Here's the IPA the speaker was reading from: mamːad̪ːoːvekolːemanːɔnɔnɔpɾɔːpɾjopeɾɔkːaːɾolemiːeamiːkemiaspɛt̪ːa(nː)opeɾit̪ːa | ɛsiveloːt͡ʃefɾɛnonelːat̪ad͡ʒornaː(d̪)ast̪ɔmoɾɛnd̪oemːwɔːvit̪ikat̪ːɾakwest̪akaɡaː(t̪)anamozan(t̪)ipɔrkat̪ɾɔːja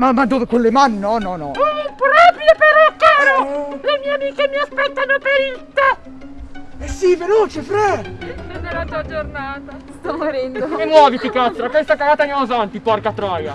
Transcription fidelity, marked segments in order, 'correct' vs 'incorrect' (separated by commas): incorrect, incorrect, correct, correct